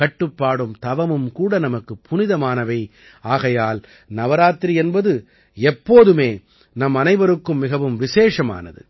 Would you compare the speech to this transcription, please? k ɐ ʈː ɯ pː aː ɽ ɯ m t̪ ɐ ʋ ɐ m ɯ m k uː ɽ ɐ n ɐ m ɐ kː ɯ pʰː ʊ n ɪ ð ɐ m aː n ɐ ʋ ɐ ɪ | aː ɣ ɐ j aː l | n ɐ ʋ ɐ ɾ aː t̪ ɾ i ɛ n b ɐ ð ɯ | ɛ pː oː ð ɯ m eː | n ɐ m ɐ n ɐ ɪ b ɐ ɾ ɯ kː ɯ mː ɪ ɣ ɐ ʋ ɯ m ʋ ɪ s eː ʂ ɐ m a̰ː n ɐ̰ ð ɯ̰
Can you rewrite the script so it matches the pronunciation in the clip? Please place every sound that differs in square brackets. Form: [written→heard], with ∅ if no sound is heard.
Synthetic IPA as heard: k ɐ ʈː ɯ pː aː ɽ ɯ m t̪ ɐ ʋ ɐ m ɯ m k uː ɽ ɐ n ɐ m ɐ kː ɯ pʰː ʊ n ɪ ð ɐ m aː n ɐ ʋ ɐ ɪ | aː ɣ ɐ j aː l | n ɐ ʋ ɐ ɾ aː t̪ ɾ i ɛ n b ɐ ð ɯ | ɛ pː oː ð ɯ m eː | n ɐ m ɐ n ɐ ɪ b ɐ ɾ ɯ kː ɯ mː ɪ ɣ ɐ ʋ ɯ m ʋ ɪ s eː ʂ ɐ m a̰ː n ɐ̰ ð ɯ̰